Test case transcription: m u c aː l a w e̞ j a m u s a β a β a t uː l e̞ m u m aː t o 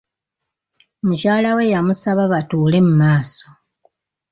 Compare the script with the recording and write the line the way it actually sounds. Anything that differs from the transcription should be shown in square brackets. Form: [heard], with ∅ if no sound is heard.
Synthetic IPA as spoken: m u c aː l a w e̞ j a m u s a β a β a t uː l e̞ m u m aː [s] o